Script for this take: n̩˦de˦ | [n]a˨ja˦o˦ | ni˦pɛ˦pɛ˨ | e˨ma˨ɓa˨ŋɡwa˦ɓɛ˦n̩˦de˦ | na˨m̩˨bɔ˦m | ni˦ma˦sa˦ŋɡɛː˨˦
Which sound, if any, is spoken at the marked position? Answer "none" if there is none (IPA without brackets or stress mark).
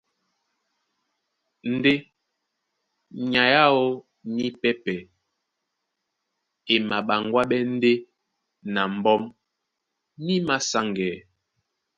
ɲ